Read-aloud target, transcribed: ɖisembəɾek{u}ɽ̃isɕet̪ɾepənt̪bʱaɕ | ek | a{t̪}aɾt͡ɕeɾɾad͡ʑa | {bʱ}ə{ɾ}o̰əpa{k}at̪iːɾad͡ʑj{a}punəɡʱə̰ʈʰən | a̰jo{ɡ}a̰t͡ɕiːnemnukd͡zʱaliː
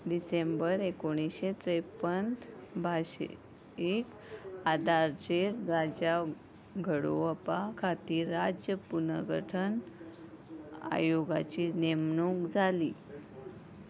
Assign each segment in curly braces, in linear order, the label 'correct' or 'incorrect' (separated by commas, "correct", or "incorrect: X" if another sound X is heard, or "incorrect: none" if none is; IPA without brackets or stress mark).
incorrect: o, incorrect: d̪, incorrect: ɡʱ, incorrect: ɽ, incorrect: kʰ, incorrect: ə, correct